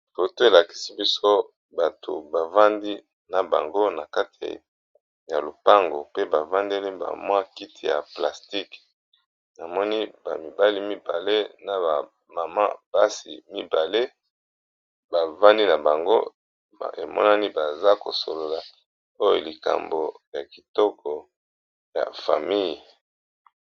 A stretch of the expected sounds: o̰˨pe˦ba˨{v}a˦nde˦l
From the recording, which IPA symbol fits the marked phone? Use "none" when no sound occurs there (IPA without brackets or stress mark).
v